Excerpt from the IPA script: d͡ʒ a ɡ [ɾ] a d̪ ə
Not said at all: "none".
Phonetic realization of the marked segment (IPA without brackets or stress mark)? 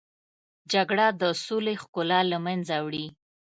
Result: ɽ